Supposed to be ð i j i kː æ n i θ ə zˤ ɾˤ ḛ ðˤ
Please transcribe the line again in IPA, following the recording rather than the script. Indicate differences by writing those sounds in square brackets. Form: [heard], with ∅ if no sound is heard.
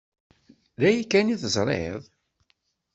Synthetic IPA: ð [æ] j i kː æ n i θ ə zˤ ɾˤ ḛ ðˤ